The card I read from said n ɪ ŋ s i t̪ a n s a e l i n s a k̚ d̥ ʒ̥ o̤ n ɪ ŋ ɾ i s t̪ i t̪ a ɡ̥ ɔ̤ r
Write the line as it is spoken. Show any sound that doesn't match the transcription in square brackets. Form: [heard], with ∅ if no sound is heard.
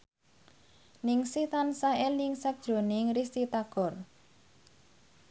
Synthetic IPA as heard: n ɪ ŋ s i t̪ a n s a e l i [ŋ] s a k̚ d̥ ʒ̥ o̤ n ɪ ŋ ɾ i s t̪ i t̪ a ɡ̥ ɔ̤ r